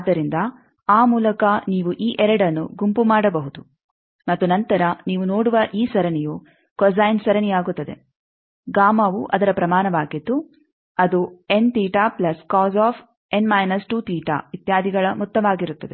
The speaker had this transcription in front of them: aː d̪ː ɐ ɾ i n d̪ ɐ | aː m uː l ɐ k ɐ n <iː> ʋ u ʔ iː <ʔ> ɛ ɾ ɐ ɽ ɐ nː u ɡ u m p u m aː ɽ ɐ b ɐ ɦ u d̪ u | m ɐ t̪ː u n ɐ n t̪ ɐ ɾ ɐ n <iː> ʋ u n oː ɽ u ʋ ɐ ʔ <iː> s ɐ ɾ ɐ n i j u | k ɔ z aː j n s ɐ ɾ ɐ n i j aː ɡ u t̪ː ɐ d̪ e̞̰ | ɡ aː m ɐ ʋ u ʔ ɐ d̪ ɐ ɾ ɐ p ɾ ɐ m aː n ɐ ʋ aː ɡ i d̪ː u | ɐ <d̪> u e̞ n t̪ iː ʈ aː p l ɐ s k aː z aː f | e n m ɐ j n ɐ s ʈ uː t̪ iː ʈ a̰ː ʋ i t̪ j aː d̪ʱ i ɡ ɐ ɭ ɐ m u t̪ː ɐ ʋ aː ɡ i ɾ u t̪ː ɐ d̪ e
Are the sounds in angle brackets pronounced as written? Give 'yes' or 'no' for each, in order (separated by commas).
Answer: yes, yes, yes, yes, yes